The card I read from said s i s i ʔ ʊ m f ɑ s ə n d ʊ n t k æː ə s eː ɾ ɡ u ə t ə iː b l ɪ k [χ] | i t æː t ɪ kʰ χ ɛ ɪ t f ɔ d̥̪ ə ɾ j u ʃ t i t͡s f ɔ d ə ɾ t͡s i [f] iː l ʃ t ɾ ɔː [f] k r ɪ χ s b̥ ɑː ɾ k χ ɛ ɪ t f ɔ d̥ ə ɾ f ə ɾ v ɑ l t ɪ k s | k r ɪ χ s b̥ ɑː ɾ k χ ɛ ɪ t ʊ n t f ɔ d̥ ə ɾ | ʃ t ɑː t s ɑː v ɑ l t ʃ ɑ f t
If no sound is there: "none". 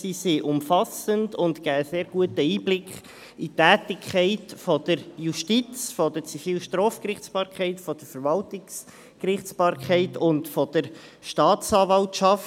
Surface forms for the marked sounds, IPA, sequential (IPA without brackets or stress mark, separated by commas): χ, f, f